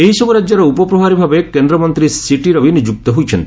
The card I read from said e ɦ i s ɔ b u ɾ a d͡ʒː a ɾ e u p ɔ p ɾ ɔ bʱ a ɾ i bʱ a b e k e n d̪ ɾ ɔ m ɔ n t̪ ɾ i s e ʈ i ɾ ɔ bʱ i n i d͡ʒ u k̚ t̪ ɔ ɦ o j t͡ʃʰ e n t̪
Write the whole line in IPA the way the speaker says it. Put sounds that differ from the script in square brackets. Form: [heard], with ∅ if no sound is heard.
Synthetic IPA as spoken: e ɦ i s ɔ b u ɾ a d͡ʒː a ɾ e u p ɔ p ɾ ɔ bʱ a ɾ i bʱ a b e k e n d̪ ɾ ɔ m ɔ n t̪ ɾ i s [i] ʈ i ɾ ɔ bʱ i n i d͡ʒ u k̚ t̪ ɔ ɦ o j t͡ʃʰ e n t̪